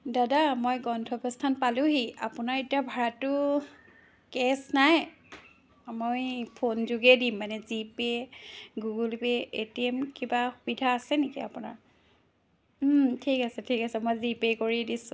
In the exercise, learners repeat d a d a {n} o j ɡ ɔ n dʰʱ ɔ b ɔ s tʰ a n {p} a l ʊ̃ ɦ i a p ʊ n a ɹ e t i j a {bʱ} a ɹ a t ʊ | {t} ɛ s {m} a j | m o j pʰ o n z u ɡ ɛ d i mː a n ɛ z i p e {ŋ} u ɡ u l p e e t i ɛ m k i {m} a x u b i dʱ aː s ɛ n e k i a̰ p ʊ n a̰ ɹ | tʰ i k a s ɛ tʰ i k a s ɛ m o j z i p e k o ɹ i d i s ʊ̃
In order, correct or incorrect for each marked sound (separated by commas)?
incorrect, correct, correct, incorrect, incorrect, incorrect, incorrect